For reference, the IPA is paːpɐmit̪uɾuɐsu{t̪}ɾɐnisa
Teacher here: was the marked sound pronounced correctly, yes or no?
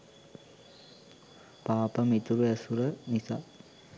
no